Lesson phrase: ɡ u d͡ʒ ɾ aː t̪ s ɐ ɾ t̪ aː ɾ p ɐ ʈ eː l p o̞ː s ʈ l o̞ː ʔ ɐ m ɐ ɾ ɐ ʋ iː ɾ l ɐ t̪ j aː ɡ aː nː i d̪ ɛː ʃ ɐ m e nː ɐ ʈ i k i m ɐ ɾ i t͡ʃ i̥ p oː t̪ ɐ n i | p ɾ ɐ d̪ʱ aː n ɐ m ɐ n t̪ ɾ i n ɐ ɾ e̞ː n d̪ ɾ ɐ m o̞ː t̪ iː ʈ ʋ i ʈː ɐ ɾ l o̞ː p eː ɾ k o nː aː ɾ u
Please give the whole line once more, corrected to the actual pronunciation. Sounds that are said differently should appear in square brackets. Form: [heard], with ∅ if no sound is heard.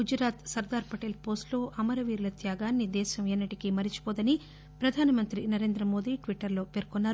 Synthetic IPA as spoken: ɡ u d͡ʒ ɾ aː t̪ s ɐ ɾ [d̪] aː ɾ p ɐ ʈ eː l p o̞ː s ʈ l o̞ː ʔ ɐ m ɐ ɾ ɐ ʋ iː ɾ l ɐ t̪ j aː ɡ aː nː i d̪ ɛː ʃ ɐ m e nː ɐ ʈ i k i m ɐ ɾ i t͡ʃ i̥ p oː [d̪] ɐ n i | p ɾ ɐ d̪ʱ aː n ɐ m ɐ n t̪ ɾ i n ɐ ɾ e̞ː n d̪ ɾ ɐ m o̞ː [d̪] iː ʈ ʋ i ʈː ɐ ɾ l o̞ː p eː ɾ k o nː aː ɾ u

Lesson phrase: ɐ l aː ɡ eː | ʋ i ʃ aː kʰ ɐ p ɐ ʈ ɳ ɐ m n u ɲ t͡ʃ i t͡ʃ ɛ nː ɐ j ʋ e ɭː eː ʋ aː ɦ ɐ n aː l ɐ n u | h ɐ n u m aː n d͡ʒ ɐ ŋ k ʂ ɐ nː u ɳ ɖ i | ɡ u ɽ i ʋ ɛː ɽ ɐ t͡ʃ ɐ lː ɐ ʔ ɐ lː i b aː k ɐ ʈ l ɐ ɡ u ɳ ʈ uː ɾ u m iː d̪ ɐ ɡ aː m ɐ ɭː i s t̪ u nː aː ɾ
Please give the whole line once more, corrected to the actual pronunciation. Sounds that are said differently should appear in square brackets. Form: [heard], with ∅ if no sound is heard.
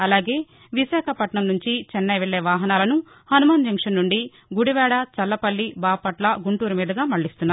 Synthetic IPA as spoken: ɐ l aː ɡ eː | ʋ i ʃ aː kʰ ɐ p ɐ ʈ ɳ ɐ m n u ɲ t͡ʃ i t͡ʃ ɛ nː ɐ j ʋ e ɭː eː ʋ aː ɦ ɐ n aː l ɐ n u | h ɐ n u m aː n d͡ʒ ɐ ŋ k ʂ ɐ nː u ɳ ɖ i | ɡ u ɽ i ʋ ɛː ɽ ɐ t͡ʃ ɐ lː ɐ [p] ɐ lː i b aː [p] ɐ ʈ l ɐ ɡ u ɳ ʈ uː ɾ u m iː d̪ ɐ ɡ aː m ɐ ɭː i s t̪ u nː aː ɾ

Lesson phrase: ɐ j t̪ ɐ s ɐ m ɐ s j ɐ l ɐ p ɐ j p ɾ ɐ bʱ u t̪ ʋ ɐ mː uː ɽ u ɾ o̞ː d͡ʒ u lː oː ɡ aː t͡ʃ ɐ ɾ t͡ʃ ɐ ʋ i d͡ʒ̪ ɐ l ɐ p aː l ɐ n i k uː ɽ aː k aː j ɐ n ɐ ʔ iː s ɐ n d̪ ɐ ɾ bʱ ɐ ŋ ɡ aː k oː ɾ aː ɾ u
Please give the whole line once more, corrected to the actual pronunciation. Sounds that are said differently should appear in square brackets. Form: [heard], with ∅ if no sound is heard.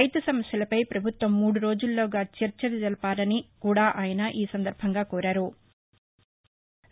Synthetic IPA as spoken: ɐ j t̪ ɐ s ɐ m ɐ s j ɐ l ɐ p ɐ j p ɾ ɐ bʱ u t̪ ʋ ɐ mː uː ɽ u ɾ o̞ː d͡ʒ u lː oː ɡ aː t͡ʃ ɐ ɾ t͡ʃ ɐ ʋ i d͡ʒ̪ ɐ l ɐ p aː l ɐ n i k uː ɽ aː [ʔ] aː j ɐ n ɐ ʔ iː s ɐ n d̪ ɐ ɾ bʱ ɐ ŋ ɡ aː k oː ɾ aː ɾ u

